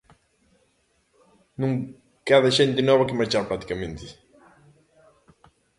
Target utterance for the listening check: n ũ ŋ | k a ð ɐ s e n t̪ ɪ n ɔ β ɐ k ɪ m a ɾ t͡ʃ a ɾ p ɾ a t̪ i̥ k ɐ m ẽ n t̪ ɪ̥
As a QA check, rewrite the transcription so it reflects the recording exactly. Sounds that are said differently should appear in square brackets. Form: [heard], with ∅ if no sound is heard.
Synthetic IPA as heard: n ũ ŋ | k a ð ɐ [ʃ] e n t̪ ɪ n ɔ β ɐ k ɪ m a ɾ t͡ʃ a ɾ p ɾ a t̪ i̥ k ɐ m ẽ n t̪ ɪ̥